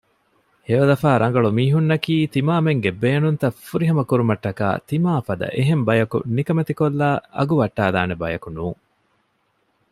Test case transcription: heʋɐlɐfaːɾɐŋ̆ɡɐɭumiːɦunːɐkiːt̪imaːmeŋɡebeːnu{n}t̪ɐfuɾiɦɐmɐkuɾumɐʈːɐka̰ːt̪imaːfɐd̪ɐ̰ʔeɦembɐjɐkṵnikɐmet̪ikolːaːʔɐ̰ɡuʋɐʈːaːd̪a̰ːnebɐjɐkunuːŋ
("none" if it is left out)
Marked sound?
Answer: n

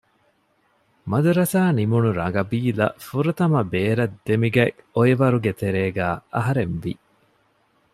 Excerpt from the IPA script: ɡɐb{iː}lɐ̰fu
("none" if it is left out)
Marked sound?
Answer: iː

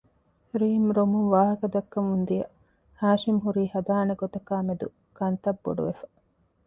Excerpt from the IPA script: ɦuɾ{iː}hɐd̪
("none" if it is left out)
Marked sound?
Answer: iː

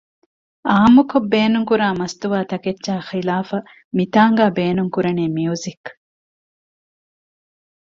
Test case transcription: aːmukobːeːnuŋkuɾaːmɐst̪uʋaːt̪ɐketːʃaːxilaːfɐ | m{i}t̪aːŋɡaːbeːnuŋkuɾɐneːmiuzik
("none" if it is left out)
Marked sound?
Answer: i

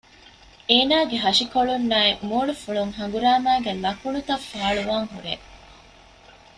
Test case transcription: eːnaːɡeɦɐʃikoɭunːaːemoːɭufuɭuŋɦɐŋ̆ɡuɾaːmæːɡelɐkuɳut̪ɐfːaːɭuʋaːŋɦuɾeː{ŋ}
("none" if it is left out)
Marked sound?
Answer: none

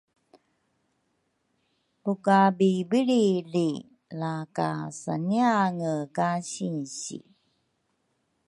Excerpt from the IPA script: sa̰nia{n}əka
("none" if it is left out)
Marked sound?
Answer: ŋ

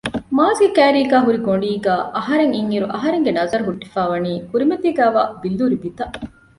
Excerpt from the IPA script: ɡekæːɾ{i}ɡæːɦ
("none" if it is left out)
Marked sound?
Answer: iː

